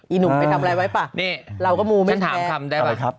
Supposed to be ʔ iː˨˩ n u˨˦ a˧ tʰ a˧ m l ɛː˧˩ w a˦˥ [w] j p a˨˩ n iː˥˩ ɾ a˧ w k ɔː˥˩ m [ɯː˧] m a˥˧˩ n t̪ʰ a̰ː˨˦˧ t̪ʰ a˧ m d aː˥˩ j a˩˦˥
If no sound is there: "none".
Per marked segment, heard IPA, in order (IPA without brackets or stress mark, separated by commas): none, uː˧